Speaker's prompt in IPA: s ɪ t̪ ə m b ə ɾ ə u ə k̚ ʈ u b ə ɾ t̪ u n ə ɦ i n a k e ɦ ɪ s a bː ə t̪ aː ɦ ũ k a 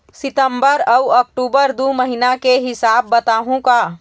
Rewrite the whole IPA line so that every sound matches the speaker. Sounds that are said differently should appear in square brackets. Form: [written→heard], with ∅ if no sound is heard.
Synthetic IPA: s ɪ t̪ ə m b ə ɾ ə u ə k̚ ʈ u b ə ɾ [t̪→d̪] u [n→m] ə ɦ i n a k e ɦ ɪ s a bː ə t̪ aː ɦ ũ k a